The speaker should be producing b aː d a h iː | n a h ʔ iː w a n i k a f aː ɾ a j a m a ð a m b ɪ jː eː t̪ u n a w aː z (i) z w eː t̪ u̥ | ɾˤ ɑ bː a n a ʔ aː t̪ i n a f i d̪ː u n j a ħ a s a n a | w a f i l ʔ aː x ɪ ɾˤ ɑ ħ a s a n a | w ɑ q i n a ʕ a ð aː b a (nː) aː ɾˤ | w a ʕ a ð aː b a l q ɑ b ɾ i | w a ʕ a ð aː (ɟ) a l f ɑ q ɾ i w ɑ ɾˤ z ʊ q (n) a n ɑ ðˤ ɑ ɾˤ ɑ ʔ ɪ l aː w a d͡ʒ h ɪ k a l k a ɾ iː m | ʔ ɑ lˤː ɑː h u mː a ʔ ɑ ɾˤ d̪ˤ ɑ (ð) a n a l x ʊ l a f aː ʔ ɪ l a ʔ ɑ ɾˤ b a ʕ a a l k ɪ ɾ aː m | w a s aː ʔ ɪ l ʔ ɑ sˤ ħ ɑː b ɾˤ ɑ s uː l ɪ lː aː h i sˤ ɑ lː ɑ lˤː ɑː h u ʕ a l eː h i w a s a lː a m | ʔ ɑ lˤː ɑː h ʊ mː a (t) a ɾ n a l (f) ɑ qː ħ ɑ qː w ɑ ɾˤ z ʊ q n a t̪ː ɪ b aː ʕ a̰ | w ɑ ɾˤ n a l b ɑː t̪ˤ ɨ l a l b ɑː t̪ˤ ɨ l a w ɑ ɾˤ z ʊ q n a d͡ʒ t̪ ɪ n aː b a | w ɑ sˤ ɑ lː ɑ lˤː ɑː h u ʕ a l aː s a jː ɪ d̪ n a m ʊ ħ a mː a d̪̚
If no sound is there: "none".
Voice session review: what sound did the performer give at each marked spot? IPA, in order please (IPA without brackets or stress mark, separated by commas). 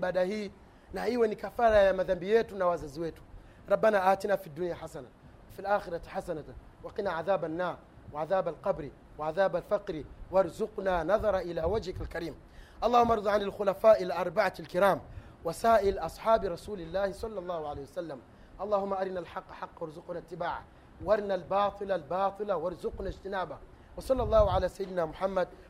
a, nː, b, n, ʕ, ʔ, ħ